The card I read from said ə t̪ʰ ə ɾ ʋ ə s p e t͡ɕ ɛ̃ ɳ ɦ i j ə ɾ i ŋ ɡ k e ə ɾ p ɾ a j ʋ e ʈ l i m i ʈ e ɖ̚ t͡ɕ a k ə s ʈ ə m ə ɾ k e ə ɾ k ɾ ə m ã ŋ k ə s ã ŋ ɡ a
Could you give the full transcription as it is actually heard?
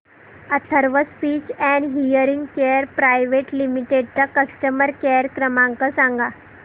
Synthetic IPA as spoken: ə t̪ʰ ə ɾ ʋ ə s p i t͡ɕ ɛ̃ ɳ ɦ i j ə ɾ i ŋ ɡ k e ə ɾ p ɾ a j ʋ e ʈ l i m i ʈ e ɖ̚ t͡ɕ a k ə s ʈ ə m ə ɾ k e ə ɾ k ɾ ə m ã ŋ k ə s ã ŋ ɡ a